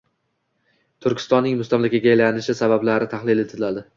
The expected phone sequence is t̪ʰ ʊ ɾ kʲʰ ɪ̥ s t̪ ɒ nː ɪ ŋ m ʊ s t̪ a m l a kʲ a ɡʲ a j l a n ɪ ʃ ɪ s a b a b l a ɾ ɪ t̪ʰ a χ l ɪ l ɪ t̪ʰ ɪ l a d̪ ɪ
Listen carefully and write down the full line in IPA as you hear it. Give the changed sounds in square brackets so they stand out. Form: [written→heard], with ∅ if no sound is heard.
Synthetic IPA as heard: t̪ʰ ʊ ɾ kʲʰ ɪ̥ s t̪ ɒ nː ɪ ŋ m ʊ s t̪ a m l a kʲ a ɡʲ a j l a n ɪ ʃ ɪ s a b a b l a ɾ ɪ t̪ʰ a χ l ɪ l ɪ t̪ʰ ɪ l a d̪ ɪ